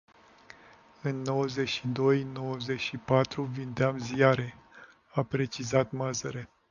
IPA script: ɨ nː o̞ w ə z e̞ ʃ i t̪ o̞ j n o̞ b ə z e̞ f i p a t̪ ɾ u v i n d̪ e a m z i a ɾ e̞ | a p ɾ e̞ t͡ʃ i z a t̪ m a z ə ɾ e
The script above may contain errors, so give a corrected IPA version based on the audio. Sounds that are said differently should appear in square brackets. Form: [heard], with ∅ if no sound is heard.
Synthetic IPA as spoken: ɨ nː o̞ w ə z e̞ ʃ i [d̪] o̞ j n o̞ [w] ə z e̞ [ʃ] i p a t̪ ɾ u v i n d̪ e a m z i a ɾ e̞ | a p ɾ e̞ t͡ʃ i z a t̪ m a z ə ɾ e